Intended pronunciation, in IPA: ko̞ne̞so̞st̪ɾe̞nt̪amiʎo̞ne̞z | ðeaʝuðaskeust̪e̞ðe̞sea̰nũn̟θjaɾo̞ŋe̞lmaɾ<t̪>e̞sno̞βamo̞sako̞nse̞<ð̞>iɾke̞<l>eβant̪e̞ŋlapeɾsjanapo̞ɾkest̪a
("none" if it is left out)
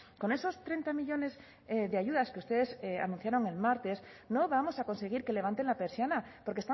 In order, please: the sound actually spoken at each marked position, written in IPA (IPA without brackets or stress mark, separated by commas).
t̪, ɣ̞, l